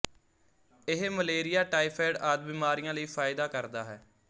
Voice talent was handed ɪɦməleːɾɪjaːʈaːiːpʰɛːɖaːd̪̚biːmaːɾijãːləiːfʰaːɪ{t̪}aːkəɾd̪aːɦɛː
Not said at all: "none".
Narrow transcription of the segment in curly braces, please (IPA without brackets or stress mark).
d̪